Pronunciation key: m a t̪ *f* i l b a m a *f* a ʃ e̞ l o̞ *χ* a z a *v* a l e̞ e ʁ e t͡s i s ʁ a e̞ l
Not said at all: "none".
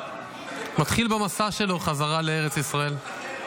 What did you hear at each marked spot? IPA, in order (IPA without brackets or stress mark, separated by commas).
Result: χ, s, χ, ʁ